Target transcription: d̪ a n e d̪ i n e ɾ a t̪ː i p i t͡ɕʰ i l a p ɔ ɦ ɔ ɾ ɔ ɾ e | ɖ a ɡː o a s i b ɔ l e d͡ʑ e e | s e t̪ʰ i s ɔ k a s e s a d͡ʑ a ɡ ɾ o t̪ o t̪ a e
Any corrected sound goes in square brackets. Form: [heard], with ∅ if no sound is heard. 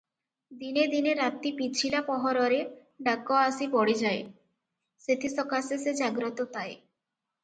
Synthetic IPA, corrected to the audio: d̪ [i] n e d̪ i n e ɾ a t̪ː i p i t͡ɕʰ i l a p ɔ ɦ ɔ ɾ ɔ ɾ e | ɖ a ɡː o a s i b ɔ [ɽ] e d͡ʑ [a] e | s e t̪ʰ i s ɔ k a s e s [e] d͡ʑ a ɡ ɾ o t̪ o t̪ a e